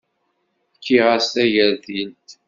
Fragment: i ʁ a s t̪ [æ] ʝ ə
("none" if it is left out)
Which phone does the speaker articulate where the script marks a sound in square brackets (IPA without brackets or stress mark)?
æ